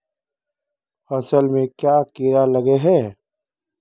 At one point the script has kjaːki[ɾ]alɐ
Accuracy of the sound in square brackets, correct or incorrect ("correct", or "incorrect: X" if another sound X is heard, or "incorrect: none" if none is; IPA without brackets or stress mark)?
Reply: correct